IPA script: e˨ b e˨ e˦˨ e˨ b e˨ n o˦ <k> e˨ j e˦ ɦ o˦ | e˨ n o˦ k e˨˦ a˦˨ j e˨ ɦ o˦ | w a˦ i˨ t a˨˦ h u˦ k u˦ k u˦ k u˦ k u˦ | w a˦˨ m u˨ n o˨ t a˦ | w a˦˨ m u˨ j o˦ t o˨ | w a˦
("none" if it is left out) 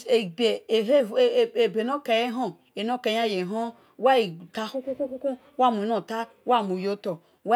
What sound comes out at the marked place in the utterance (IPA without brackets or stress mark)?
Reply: k